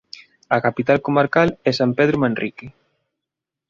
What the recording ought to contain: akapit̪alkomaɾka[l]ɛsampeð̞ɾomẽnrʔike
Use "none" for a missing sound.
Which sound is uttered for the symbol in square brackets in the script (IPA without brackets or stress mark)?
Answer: l